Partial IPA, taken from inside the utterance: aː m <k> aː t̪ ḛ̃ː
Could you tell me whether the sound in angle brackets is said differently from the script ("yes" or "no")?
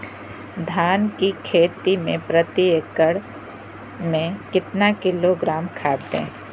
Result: yes